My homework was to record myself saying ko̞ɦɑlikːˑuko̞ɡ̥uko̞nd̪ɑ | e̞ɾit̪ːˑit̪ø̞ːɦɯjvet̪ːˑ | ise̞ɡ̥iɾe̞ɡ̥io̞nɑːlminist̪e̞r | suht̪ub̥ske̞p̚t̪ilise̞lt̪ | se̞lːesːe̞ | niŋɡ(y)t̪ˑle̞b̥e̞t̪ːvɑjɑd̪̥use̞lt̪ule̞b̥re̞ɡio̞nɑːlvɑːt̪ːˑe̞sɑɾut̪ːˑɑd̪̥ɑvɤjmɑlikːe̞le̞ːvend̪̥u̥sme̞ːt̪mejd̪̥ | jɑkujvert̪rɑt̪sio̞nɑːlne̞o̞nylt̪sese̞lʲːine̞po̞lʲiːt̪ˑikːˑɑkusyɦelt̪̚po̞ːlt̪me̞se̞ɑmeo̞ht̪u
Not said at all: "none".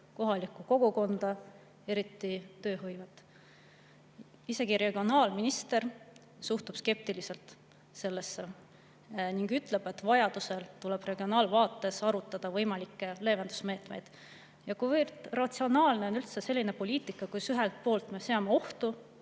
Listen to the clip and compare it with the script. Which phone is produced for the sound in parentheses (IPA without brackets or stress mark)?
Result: y